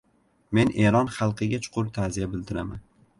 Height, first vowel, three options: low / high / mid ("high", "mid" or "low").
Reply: mid